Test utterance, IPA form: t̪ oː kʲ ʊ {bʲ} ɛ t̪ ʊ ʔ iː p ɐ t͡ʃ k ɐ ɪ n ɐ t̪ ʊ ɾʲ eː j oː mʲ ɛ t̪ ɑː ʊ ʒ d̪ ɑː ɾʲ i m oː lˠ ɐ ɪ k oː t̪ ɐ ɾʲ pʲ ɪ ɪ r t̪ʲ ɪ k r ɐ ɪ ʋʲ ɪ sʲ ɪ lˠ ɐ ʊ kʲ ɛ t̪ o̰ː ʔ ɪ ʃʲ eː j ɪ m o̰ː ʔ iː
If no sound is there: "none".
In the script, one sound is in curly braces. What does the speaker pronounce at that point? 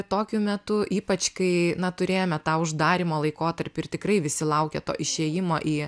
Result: mʲ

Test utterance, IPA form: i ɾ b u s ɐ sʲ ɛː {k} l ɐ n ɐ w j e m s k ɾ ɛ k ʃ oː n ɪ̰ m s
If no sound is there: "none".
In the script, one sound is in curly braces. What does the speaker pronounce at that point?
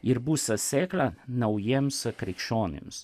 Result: k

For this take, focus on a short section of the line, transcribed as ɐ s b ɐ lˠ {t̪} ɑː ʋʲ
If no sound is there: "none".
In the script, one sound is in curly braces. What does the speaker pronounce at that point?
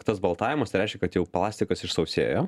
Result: t̪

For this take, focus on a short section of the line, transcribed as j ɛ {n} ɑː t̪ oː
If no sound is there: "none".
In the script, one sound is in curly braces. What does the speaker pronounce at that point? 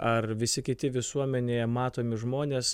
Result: m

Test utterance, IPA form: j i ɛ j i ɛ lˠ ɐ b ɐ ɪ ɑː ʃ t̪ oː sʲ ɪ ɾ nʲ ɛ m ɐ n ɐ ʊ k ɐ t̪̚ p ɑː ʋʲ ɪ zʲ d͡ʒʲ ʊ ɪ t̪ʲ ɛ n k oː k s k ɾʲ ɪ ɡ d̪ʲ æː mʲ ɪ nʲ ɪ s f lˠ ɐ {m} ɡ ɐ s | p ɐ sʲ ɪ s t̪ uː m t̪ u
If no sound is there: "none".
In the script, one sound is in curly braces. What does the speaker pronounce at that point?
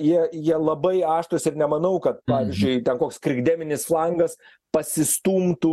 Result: ŋ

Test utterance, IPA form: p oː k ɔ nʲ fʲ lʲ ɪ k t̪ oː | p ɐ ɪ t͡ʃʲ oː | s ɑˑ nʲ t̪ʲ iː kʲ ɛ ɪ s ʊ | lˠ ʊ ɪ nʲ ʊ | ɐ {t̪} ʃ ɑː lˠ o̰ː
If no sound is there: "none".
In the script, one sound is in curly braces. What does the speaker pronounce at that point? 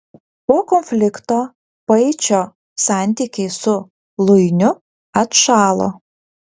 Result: t̪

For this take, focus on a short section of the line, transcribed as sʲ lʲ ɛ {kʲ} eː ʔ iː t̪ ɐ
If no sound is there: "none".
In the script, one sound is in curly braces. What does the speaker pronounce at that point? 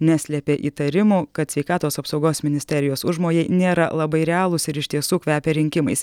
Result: pʲ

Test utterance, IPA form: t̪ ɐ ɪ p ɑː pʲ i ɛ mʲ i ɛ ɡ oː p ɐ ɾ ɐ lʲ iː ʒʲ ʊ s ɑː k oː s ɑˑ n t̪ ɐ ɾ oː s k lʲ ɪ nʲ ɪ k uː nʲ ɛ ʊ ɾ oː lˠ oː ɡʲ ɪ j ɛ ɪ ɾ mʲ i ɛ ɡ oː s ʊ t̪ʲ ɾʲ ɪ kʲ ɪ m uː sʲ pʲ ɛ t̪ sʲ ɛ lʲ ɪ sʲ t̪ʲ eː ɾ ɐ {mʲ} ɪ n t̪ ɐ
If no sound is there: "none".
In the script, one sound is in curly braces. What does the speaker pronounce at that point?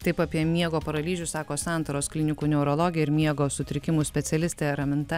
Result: mʲ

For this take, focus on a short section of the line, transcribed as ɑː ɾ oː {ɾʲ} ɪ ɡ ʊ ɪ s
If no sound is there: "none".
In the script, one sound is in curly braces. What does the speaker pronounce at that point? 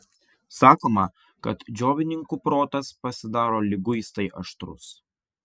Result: lʲ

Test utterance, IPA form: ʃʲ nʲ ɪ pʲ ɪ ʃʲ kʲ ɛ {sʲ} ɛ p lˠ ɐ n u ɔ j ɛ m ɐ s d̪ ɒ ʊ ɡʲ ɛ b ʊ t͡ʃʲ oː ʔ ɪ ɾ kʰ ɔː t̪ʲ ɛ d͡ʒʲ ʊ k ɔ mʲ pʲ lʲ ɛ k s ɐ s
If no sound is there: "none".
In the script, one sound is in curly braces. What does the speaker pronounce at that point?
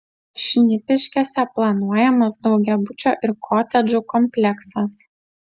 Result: sʲ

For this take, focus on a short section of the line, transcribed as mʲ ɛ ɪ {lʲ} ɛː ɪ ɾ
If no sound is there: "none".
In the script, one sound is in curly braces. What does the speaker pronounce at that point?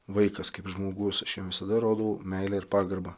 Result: lʲ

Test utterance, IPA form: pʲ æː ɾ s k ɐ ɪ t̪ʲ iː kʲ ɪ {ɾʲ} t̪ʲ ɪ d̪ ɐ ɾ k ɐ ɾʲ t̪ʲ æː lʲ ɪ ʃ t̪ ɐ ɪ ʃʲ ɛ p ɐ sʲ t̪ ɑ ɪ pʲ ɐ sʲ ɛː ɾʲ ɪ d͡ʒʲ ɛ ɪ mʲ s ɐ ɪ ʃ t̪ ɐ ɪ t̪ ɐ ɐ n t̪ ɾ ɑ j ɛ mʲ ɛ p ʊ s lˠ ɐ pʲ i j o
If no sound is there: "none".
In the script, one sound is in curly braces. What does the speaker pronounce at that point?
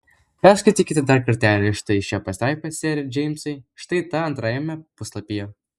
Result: none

